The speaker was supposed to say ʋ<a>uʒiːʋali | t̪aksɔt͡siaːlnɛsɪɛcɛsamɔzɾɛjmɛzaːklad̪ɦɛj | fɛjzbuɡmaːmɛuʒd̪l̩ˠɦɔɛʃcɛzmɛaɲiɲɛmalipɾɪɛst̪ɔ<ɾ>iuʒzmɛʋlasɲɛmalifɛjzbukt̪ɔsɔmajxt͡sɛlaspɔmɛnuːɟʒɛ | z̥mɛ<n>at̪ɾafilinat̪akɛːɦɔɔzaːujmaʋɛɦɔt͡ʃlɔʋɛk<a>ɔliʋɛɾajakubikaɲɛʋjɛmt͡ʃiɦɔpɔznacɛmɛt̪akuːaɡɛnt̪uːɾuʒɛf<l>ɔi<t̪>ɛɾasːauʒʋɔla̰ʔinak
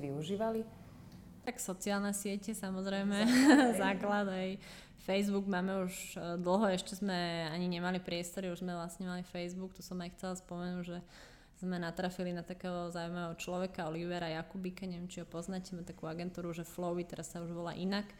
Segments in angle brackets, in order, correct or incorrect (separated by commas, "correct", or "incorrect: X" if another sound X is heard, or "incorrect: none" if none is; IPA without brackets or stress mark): incorrect: i, correct, correct, correct, correct, correct